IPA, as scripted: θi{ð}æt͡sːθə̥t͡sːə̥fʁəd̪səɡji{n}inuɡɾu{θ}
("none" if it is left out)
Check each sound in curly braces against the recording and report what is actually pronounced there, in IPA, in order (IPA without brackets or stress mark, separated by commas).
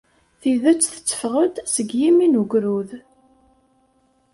ð, m, ð